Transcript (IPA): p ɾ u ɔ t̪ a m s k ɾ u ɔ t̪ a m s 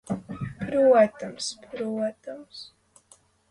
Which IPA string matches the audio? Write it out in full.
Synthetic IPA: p ɾ u ɔ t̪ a m s p ɾ u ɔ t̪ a m s